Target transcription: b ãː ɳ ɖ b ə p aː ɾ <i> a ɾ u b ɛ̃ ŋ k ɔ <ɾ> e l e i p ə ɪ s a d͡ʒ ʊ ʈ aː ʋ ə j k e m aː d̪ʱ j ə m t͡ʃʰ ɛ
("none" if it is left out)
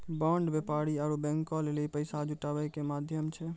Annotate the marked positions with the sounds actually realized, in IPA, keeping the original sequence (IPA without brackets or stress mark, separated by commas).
i, l